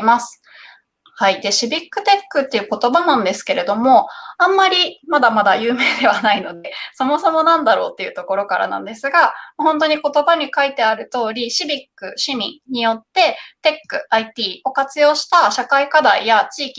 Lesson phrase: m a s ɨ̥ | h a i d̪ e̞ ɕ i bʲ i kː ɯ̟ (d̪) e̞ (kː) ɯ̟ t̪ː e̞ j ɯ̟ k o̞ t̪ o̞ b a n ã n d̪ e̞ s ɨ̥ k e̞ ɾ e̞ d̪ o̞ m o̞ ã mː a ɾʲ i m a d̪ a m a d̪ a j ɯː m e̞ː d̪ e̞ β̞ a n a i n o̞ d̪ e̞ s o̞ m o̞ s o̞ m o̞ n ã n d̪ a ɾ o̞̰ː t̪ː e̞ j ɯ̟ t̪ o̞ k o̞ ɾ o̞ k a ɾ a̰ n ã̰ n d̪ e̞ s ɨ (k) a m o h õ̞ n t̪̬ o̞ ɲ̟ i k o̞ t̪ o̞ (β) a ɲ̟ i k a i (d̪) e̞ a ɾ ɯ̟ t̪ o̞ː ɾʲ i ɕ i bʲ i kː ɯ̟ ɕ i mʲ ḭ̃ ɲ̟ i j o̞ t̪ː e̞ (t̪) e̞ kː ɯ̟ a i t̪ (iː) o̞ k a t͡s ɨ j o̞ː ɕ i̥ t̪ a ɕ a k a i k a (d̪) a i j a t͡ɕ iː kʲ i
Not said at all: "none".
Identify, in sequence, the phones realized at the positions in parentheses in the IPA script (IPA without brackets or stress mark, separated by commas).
t̪, kː, ɡ, b, t̪, t̪, iː, d̪